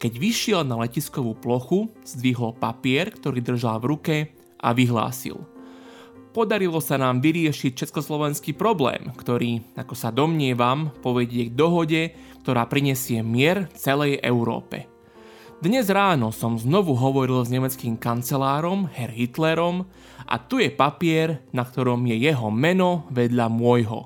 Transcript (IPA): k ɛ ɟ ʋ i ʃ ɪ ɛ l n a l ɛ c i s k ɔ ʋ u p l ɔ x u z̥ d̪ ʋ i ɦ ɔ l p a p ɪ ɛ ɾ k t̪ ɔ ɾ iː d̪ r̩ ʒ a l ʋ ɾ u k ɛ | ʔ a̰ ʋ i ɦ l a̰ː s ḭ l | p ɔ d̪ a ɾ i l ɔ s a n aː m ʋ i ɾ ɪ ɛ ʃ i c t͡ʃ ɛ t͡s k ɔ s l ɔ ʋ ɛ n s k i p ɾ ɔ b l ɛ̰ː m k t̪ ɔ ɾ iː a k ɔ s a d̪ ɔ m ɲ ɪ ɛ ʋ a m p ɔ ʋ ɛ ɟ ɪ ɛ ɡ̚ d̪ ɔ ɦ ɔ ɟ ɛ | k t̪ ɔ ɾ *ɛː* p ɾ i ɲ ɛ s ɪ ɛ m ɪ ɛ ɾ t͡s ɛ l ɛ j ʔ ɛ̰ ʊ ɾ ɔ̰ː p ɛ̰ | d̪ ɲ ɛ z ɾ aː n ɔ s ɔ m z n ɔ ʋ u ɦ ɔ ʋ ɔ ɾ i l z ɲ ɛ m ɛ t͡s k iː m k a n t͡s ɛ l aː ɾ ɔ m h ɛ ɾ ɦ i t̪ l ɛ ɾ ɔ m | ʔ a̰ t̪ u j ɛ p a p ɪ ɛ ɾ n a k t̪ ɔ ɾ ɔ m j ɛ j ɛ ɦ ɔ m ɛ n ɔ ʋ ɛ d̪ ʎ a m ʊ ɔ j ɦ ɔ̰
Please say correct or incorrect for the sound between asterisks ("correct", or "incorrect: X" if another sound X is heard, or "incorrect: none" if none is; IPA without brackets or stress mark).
incorrect: aː